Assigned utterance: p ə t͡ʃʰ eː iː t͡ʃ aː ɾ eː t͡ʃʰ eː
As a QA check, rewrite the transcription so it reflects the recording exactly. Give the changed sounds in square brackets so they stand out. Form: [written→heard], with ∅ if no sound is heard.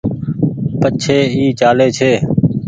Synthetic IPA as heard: p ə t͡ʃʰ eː iː t͡ʃ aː [ɾ→l] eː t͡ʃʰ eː